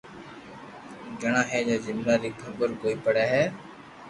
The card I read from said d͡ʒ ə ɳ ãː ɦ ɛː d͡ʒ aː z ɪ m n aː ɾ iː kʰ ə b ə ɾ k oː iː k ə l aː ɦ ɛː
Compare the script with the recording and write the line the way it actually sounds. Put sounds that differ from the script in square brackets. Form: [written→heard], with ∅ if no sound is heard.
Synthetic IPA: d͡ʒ ə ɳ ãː ɦ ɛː d͡ʒ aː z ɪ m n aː ɾ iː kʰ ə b ə ɾ k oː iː [k→p] ə [l→ɽ] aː ɦ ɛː